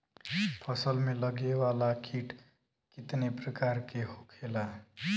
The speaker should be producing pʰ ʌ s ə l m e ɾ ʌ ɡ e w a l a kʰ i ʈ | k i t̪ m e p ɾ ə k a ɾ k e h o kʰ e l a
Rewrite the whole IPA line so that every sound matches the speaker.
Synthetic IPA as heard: pʰ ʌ s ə l m e l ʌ ɡ e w a l a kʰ i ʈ | k i t̪ n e p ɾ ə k a ɾ k e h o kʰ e l a